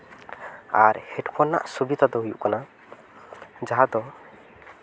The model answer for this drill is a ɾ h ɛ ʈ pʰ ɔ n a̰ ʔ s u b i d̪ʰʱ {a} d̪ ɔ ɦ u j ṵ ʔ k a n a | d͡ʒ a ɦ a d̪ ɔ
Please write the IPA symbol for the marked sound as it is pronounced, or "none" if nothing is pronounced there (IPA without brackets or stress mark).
a